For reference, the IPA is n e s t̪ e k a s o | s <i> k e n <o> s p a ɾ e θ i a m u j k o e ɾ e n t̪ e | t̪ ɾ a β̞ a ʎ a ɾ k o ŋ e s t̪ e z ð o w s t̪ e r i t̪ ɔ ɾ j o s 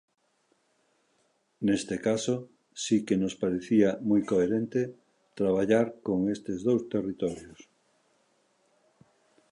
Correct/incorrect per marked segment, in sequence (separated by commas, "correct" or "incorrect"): correct, correct